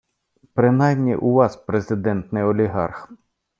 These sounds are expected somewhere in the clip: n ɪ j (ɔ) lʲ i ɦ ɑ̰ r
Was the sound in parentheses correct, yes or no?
yes